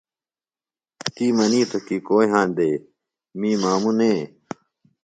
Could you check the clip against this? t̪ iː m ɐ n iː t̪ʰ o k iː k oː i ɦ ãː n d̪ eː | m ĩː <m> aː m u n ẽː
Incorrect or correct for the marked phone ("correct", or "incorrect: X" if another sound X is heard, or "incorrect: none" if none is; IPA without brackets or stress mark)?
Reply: correct